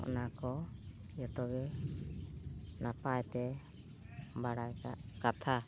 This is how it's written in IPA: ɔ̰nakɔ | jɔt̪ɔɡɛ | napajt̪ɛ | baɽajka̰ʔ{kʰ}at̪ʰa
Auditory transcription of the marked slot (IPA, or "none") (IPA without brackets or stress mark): k